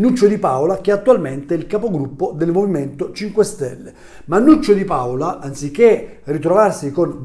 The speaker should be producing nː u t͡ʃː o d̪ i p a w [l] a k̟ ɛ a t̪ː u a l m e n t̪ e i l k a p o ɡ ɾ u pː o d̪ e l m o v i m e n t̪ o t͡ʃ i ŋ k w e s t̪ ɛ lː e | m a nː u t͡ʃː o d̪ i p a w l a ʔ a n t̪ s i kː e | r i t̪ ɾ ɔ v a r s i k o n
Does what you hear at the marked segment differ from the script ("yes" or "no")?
no